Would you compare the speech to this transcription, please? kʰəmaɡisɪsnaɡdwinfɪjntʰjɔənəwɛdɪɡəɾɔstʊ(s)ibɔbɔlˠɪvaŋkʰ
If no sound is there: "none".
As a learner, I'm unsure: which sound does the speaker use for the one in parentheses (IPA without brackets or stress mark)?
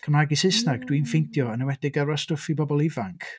f